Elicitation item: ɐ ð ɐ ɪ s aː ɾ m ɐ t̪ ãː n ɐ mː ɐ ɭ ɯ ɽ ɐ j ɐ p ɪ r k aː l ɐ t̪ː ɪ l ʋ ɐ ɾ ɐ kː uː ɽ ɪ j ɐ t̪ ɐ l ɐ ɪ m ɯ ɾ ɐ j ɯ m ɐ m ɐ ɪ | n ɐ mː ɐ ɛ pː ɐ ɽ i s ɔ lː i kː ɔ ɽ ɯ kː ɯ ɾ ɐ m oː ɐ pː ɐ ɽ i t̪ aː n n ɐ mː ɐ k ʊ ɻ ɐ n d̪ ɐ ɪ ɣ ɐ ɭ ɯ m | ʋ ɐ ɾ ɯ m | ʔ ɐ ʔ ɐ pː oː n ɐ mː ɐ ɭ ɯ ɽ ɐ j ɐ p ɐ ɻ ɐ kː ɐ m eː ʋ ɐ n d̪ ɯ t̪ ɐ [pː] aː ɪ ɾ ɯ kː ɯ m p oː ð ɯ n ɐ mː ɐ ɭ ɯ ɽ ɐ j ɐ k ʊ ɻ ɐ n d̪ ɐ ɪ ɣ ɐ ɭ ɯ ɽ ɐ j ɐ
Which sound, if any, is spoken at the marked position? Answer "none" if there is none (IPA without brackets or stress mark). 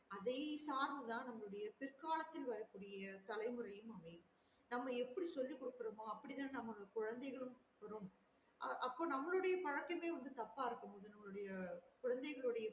pː